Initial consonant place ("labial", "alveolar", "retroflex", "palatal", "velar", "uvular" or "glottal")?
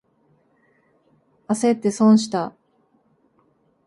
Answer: alveolar